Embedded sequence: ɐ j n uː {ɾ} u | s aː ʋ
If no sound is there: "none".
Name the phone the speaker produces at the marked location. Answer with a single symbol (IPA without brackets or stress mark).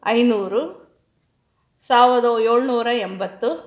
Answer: ɾ